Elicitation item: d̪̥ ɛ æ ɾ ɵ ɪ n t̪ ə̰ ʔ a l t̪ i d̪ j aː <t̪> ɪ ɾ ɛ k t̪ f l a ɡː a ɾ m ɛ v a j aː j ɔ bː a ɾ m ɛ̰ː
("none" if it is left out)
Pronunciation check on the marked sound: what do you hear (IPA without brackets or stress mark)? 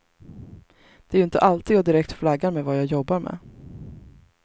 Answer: d̪